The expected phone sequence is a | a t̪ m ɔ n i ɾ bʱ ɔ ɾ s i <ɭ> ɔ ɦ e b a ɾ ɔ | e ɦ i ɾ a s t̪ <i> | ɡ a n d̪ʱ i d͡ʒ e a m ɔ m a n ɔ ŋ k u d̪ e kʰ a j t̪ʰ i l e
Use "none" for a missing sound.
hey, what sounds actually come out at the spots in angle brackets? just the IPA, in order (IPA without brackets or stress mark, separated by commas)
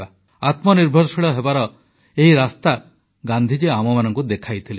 ɭ, a